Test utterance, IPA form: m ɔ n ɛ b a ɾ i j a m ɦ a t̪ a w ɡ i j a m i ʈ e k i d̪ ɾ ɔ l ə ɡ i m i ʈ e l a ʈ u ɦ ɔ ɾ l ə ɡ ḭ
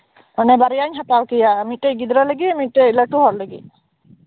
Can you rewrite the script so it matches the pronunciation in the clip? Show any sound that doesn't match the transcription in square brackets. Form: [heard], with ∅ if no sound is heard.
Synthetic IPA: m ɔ n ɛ b a ɾ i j a [ɲ] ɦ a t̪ a w [k] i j a m i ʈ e [ɡ] i d̪ ɾ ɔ l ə ɡ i m i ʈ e l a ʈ u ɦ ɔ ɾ l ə ɡ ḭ